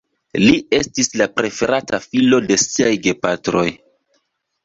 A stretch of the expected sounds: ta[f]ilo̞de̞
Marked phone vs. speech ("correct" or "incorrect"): correct